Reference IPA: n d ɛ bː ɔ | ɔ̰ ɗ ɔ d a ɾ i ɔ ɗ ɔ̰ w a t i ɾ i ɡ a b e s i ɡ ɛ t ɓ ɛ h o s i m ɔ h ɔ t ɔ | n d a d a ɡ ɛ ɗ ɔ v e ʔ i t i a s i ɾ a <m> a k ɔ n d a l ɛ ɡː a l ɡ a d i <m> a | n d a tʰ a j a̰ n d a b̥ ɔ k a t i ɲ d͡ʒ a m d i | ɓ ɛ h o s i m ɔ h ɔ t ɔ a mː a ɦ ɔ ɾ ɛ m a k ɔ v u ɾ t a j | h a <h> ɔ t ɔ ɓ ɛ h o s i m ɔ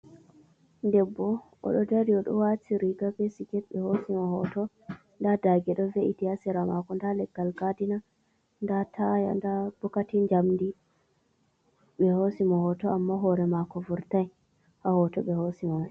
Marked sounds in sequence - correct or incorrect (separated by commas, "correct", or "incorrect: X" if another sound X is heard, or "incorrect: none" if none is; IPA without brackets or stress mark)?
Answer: correct, incorrect: n, correct